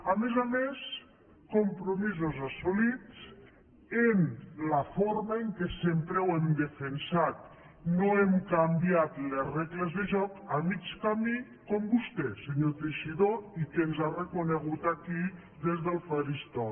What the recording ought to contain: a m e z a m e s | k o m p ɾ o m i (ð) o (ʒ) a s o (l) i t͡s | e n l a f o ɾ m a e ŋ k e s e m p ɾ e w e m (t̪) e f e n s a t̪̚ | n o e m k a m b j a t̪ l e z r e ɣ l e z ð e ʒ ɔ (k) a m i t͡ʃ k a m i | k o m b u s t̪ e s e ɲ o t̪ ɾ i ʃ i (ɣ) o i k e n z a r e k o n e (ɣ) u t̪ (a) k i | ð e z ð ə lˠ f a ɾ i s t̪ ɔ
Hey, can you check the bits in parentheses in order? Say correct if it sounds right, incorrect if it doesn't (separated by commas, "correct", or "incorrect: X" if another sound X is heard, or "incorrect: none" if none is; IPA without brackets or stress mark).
incorrect: z, incorrect: z, correct, incorrect: d̪, correct, incorrect: ð, correct, correct